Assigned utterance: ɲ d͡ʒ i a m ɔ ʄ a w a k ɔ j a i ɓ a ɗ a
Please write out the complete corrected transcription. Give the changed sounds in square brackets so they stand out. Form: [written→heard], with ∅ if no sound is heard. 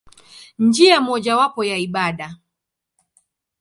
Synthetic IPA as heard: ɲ d͡ʒ i a m ɔ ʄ a w a [k→p] ɔ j a i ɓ a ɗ a